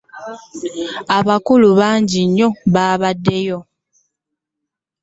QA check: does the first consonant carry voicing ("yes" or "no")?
yes